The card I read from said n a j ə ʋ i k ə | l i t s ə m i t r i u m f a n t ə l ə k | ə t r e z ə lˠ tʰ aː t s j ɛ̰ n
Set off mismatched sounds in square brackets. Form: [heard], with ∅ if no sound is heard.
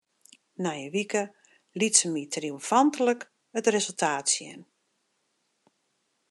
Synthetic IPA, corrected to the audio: n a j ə ʋ i k ə | l i t s ə m i t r i u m f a n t ə l ə k | ə t r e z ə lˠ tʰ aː t s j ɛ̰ n